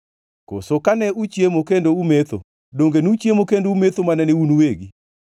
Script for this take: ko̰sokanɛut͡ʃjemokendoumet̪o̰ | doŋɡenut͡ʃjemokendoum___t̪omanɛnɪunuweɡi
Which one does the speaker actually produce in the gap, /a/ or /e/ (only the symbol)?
e